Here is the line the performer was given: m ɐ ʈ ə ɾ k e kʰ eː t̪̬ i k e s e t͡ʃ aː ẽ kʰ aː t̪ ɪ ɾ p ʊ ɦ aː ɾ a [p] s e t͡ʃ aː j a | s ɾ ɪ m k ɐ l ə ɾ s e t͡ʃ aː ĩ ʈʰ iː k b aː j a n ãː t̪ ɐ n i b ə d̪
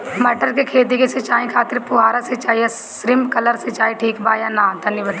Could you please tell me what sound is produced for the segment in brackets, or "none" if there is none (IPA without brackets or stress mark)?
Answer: none